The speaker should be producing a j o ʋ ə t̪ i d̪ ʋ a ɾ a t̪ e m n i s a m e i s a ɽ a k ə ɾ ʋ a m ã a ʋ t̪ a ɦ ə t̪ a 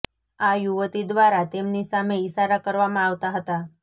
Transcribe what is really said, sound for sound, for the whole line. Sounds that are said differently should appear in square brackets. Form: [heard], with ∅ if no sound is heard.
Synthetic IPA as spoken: a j [u] ʋ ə t̪ i d̪ ʋ a ɾ a t̪ e m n i s a m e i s a [ɾ] a k ə ɾ ʋ a m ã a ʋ t̪ a ɦ ə t̪ a